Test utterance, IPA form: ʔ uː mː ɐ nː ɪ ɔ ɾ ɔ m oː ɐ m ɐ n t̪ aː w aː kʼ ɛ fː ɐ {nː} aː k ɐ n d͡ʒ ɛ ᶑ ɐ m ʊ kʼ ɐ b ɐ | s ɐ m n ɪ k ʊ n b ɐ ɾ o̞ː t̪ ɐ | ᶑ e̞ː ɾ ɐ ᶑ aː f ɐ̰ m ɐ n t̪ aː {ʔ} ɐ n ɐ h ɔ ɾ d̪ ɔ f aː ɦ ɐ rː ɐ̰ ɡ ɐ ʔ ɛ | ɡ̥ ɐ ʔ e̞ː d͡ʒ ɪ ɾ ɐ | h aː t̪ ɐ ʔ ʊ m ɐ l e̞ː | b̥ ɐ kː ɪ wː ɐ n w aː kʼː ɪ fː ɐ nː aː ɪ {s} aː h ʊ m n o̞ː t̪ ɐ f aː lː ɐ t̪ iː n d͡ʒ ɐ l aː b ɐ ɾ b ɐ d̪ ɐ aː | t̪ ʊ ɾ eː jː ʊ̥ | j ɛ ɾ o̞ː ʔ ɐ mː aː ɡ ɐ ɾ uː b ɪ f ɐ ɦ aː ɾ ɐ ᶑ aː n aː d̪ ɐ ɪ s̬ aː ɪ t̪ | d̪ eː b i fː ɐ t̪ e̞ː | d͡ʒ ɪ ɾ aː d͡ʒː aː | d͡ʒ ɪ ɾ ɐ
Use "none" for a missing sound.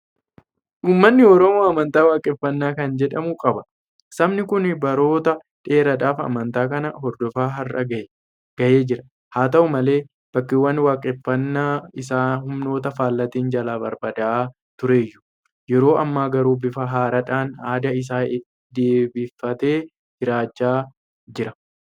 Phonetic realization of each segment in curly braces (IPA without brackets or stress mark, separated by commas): nː, k, s